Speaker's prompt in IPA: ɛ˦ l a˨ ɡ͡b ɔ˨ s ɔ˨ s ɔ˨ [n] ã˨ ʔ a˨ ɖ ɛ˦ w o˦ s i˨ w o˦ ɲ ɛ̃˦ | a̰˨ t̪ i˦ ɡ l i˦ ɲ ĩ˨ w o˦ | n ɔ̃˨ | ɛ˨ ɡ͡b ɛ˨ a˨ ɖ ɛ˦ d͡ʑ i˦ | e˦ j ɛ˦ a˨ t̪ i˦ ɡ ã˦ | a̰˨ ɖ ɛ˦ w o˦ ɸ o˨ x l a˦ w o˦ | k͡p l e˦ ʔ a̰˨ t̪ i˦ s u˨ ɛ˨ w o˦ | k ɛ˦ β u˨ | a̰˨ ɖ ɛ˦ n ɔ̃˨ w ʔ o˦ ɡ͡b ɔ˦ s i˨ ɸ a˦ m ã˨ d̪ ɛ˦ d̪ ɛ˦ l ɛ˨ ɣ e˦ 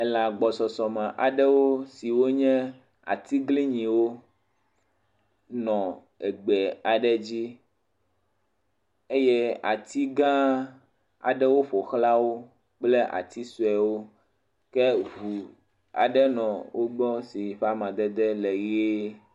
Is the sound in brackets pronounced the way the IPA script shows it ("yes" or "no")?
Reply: no